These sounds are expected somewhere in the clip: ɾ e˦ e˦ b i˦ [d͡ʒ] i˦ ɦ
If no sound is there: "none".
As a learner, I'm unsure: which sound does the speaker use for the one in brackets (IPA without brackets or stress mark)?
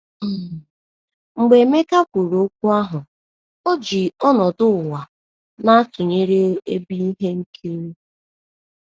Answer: none